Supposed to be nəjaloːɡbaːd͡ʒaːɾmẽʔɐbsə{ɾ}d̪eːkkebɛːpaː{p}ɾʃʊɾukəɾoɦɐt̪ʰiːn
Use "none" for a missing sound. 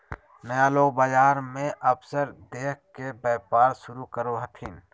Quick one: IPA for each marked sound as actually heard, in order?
ɾ, none

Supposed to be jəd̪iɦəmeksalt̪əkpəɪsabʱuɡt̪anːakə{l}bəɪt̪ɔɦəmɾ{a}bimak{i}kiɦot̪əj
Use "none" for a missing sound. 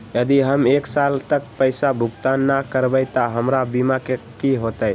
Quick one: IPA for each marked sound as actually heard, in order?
ɾ, a, e

